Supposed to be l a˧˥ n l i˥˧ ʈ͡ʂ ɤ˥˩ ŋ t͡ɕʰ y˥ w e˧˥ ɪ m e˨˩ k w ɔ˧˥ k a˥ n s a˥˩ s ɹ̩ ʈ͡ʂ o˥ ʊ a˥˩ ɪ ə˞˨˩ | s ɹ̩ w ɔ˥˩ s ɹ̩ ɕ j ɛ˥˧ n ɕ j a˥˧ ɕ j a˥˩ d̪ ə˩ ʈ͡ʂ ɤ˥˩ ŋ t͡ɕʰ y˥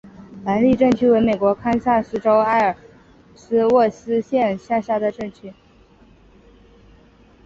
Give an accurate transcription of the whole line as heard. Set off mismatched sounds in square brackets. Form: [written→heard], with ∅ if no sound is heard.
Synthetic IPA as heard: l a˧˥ n l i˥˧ ʈ͡ʂ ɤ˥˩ ŋ t͡ɕʰ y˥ w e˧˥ ɪ m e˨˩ k w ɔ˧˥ [k→kʰ] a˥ n s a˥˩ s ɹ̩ ʈ͡ʂ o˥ ʊ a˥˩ ɪ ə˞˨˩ | s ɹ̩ w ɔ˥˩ s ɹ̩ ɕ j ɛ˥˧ n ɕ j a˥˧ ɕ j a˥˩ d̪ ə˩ ʈ͡ʂ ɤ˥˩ ŋ t͡ɕʰ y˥